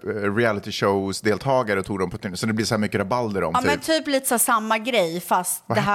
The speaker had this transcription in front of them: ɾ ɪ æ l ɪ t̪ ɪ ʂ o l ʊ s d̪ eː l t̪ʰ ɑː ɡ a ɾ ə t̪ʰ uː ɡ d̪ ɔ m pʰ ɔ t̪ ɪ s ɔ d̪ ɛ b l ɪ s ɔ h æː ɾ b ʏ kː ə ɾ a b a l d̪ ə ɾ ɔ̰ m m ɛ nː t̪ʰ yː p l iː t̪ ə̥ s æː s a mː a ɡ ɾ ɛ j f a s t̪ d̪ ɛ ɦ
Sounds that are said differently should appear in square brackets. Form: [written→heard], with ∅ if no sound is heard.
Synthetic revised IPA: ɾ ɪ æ l ɪ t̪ ɪ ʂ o [l→∅] ʊ s d̪ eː l t̪ʰ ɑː ɡ a ɾ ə t̪ʰ uː ɡ d̪ ɔ m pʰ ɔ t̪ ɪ s ɔ d̪ ɛ b l ɪ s ɔ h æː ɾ [b→m] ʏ kː ə ɾ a b a l d̪ ə ɾ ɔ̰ m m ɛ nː t̪ʰ yː p l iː t̪ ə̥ s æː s a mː a ɡ ɾ ɛ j f a s t̪ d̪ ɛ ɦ